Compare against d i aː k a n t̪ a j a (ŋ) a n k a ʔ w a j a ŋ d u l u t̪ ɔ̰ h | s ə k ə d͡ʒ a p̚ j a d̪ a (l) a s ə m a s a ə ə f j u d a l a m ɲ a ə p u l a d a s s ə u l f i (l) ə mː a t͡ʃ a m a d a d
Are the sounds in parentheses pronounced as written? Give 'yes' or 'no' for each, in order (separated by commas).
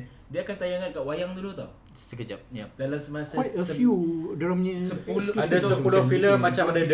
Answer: yes, yes, yes